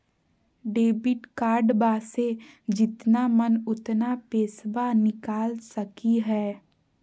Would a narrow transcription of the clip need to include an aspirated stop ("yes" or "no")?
no